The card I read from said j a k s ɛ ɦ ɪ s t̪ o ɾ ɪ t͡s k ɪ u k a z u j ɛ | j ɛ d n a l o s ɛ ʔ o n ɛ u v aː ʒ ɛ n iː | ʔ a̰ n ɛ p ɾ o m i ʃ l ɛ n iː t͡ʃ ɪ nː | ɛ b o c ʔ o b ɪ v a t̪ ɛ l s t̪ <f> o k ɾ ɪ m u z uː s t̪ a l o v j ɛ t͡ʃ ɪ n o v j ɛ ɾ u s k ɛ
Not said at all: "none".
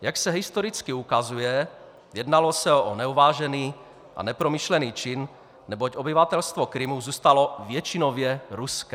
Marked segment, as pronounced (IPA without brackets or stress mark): v